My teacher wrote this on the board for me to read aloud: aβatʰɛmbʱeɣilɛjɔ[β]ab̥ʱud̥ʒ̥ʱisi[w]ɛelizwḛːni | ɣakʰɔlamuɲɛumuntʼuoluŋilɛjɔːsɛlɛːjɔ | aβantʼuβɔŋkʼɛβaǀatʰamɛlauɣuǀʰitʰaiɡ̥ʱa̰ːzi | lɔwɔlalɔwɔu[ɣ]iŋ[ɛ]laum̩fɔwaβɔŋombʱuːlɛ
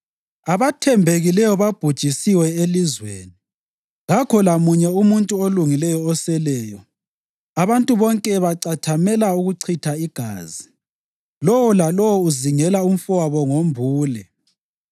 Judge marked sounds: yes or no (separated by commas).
yes, yes, no, yes